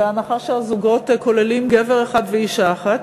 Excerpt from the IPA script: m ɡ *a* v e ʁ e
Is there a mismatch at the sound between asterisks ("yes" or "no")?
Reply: yes